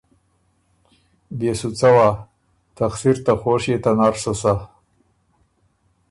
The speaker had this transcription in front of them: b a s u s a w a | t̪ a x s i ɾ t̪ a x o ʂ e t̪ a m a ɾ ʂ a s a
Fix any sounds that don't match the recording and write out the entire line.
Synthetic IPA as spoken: b e s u t͡s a w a | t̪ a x s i ɾ t̪ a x o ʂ e t̪ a n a ɾ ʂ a s a